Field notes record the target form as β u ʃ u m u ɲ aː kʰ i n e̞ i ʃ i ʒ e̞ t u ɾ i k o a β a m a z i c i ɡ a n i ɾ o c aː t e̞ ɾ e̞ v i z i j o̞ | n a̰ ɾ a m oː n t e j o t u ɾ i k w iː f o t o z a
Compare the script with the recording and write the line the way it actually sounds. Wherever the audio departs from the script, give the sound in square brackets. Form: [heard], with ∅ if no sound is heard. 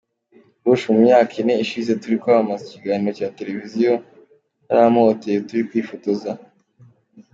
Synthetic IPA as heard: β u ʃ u m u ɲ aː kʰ i n e̞ i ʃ i [z] e̞ t u ɾ i k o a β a m a z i c i ɡ a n i ɾ o c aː t e̞ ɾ e̞ v i z i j o̞ | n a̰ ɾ a m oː [∅] t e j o t u ɾ i k w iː f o t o z a